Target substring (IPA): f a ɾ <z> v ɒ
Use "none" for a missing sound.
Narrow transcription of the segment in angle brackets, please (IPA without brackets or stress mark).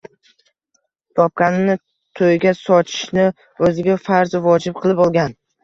z